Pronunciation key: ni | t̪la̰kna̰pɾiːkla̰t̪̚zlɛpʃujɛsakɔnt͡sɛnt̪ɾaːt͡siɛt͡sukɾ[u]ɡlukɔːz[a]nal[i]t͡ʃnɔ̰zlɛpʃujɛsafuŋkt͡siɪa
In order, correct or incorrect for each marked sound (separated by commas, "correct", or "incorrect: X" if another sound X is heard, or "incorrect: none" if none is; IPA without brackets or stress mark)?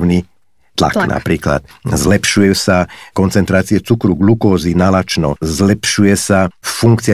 correct, incorrect: i, incorrect: a